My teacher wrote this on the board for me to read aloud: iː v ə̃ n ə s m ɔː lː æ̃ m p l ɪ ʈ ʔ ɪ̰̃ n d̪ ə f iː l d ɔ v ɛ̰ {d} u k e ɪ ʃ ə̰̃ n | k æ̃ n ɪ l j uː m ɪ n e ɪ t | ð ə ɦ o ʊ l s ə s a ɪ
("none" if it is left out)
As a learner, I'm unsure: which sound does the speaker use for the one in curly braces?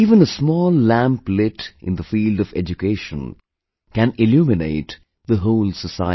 d͡ʒ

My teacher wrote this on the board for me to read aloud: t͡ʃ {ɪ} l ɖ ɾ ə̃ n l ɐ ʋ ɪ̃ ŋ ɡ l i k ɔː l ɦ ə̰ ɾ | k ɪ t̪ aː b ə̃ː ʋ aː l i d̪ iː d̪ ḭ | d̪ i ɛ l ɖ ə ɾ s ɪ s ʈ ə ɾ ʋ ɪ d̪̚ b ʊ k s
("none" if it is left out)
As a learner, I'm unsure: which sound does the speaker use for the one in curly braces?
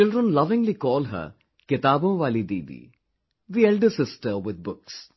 ɪ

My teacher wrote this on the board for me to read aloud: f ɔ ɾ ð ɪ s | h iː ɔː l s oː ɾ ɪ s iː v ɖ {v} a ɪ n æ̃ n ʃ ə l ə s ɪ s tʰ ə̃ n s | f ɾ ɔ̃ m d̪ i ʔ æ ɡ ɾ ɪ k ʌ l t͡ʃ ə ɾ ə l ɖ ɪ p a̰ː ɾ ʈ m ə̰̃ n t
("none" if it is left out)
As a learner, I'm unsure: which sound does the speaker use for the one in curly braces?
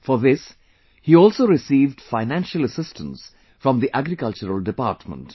f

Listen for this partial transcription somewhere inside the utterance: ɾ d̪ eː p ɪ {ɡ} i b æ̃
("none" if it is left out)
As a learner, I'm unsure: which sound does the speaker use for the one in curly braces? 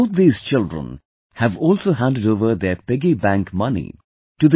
ɡ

